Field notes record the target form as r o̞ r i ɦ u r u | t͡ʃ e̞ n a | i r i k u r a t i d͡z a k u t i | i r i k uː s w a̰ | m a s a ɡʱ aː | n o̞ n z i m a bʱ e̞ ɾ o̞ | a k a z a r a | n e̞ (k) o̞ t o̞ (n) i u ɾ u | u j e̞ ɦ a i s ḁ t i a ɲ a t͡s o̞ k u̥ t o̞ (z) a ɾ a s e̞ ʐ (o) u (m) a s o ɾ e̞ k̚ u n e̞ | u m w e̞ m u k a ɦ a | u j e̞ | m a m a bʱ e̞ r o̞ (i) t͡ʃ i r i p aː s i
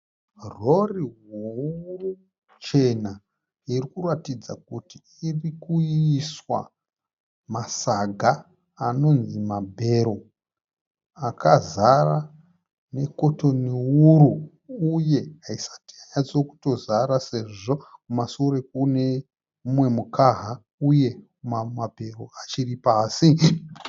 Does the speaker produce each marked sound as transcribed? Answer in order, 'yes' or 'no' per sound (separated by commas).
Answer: yes, yes, yes, yes, yes, no